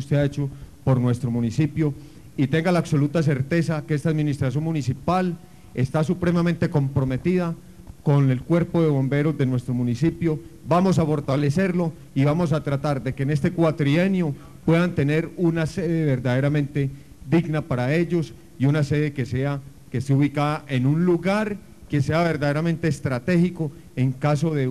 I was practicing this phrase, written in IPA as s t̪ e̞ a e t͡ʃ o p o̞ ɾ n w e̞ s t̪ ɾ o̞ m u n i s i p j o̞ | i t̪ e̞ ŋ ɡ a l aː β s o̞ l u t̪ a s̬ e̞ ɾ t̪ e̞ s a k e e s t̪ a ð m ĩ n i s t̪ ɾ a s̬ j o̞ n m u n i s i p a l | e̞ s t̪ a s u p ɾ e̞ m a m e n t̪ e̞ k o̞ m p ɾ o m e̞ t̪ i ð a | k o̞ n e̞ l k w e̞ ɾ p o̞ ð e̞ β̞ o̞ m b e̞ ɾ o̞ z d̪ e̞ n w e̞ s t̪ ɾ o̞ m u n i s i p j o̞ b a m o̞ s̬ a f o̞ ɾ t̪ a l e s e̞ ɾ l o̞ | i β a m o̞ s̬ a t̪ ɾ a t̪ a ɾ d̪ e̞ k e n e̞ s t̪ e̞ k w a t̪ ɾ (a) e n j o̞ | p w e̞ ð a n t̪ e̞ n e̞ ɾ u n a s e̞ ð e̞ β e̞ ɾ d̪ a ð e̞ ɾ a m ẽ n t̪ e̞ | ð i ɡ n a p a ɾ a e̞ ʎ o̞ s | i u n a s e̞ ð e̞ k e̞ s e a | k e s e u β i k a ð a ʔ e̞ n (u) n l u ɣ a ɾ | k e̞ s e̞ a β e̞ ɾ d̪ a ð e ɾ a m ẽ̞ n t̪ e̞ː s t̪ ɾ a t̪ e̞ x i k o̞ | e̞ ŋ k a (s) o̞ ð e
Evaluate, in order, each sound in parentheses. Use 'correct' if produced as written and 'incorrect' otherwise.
incorrect: i, correct, correct

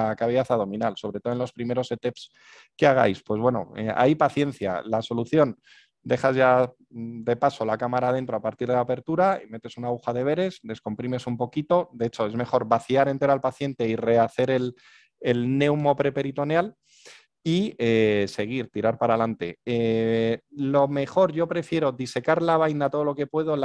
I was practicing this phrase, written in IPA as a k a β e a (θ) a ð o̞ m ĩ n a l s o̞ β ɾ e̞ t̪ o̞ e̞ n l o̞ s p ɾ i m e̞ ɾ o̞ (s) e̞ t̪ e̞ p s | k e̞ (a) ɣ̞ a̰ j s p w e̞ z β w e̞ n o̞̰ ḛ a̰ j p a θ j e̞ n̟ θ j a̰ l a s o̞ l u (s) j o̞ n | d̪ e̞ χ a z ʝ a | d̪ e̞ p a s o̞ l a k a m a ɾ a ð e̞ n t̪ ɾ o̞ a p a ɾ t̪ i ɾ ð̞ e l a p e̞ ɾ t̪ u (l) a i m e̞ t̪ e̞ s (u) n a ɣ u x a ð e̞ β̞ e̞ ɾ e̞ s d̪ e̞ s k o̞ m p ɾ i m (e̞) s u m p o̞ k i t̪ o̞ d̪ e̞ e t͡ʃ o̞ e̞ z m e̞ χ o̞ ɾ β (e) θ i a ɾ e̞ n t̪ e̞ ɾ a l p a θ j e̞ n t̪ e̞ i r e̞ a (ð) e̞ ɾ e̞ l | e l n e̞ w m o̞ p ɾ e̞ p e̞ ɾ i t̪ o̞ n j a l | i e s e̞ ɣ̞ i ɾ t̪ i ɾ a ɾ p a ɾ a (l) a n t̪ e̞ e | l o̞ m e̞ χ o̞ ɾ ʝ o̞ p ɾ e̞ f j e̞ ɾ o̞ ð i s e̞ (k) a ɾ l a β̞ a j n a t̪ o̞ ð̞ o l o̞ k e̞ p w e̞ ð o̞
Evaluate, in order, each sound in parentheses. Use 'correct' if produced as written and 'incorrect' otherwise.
correct, correct, correct, incorrect: θ, incorrect: ɾ, correct, correct, incorrect: a, incorrect: θ, correct, correct

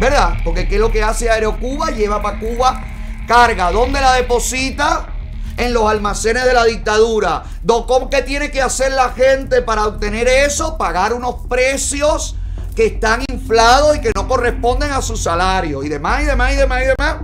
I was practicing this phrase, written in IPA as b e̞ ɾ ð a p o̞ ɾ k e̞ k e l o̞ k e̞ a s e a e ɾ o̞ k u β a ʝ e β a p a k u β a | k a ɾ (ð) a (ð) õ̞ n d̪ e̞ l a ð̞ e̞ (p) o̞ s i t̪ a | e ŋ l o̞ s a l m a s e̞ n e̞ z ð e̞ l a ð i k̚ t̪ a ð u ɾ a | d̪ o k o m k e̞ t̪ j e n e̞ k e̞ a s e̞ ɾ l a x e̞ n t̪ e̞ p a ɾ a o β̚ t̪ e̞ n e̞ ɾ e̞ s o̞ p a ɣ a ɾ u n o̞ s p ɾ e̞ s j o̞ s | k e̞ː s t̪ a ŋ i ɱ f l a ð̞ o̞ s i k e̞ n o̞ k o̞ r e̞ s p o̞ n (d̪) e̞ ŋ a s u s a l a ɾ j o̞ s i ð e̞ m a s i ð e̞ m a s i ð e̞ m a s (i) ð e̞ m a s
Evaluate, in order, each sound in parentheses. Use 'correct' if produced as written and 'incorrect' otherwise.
incorrect: ɣ, correct, correct, correct, correct

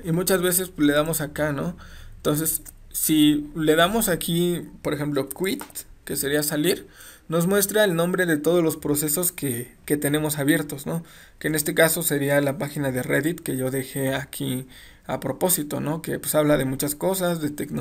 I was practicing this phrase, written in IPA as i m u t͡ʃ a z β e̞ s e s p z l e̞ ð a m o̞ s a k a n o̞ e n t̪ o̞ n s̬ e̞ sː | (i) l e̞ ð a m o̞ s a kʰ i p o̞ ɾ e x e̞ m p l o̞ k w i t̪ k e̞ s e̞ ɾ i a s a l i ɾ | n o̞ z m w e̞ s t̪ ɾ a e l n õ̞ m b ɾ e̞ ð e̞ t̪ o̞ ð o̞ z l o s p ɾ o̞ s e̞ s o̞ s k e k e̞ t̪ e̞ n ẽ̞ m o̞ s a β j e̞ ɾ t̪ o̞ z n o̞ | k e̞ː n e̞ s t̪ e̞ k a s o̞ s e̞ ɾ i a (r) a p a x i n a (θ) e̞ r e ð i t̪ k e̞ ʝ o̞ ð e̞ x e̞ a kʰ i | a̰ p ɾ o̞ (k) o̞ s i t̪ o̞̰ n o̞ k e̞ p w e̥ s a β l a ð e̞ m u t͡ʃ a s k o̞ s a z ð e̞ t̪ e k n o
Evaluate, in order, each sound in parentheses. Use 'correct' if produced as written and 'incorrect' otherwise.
correct, incorrect: l, incorrect: ð, incorrect: p

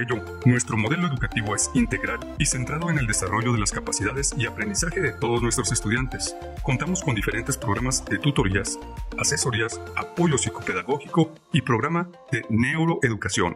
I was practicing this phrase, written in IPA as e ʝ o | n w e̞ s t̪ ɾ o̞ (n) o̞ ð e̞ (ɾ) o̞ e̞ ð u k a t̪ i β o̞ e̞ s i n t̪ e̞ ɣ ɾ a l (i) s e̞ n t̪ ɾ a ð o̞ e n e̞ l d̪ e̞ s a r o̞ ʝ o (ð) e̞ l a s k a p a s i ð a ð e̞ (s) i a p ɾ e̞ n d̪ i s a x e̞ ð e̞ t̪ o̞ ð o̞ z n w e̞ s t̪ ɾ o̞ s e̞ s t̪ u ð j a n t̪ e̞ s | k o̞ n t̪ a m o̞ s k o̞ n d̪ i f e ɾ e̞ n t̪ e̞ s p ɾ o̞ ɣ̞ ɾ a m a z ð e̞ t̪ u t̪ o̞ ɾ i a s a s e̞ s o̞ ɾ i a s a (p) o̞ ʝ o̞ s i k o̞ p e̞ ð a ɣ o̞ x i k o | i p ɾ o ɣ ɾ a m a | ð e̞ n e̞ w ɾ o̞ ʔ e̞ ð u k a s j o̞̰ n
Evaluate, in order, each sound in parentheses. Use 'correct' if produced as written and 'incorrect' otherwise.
incorrect: m, incorrect: l, correct, correct, correct, correct

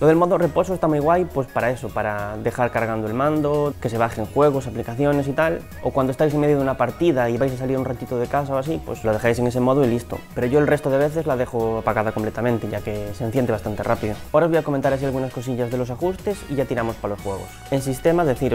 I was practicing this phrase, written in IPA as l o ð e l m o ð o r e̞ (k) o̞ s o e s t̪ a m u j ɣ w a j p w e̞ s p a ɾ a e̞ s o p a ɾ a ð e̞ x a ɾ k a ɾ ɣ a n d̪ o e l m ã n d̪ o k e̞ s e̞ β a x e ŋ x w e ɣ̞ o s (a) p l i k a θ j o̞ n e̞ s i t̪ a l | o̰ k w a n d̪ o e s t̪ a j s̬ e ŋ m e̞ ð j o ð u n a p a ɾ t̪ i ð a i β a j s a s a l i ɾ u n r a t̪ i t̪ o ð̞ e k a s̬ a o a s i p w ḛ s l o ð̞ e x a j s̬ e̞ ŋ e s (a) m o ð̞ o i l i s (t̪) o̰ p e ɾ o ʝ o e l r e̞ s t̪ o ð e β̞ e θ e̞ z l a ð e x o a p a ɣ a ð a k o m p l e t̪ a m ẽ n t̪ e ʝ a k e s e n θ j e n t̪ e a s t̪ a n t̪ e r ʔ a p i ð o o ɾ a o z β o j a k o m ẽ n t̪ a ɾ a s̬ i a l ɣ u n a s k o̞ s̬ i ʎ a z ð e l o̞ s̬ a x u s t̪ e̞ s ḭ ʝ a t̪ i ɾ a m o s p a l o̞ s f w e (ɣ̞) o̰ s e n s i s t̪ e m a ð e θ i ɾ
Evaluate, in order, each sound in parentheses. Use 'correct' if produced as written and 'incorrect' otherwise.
incorrect: p, correct, incorrect: e, correct, correct

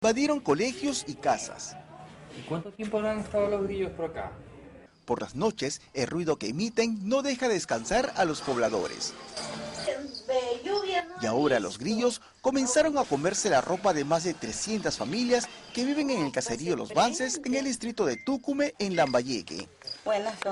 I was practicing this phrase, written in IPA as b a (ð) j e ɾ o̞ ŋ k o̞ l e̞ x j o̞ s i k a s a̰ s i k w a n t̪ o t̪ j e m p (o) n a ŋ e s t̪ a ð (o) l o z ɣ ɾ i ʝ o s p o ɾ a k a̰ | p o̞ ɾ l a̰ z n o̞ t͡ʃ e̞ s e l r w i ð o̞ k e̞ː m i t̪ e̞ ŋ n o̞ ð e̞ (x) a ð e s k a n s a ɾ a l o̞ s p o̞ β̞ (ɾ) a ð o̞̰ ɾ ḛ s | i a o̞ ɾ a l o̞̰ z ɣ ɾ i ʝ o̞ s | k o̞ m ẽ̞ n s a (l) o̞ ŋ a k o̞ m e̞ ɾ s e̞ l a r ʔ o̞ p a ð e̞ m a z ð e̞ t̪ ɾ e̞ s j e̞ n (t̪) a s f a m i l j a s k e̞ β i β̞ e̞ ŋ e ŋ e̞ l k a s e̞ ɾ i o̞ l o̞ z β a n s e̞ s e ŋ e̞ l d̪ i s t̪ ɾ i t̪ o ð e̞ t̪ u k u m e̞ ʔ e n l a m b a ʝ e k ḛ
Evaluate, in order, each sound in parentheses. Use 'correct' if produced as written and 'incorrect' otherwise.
correct, correct, correct, correct, incorrect: l, incorrect: ɾ, correct

